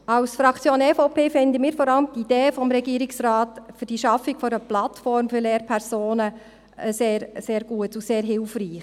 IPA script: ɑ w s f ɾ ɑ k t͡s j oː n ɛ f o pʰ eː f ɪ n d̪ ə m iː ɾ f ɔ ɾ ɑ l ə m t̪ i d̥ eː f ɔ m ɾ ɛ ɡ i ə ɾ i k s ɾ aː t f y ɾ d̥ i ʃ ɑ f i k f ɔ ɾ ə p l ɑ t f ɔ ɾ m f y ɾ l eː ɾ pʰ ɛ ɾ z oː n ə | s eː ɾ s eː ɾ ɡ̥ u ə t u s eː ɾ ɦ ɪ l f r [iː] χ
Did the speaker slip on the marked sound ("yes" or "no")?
no